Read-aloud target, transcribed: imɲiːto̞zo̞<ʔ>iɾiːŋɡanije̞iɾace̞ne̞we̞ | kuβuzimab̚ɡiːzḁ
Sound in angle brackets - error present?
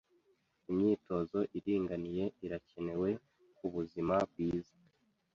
no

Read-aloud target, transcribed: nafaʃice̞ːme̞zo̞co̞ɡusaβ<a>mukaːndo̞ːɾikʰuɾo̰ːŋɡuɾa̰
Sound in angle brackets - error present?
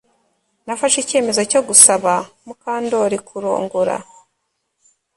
no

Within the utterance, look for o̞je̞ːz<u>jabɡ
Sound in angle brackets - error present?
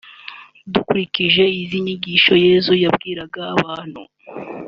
no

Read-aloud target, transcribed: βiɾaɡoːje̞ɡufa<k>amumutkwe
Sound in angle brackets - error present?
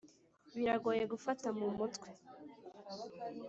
yes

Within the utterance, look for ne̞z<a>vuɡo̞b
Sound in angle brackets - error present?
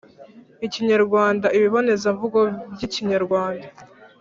no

